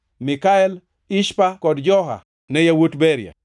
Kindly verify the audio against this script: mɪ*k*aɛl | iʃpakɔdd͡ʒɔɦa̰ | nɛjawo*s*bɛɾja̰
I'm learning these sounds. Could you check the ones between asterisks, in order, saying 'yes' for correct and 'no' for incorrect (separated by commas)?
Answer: yes, no